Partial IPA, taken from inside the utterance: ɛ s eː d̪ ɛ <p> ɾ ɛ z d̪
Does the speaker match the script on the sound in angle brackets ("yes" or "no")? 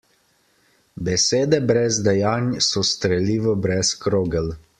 no